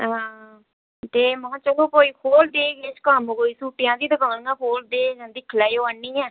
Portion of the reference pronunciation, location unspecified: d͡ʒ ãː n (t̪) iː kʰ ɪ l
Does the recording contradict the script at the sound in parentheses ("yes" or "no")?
yes